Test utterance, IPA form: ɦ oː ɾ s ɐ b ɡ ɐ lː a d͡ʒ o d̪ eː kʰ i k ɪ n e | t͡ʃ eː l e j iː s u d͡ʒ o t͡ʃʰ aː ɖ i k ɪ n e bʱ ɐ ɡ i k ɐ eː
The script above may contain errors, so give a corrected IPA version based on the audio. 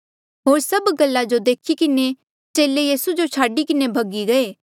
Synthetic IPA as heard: ɦ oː ɾ s ɐ b ɡ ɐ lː a d͡ʒ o d̪ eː kʰ i k ɪ n e | t͡ʃ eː l e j iː s u d͡ʒ o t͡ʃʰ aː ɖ i k ɪ n e bʱ ɐ ɡ i ɡ ɐ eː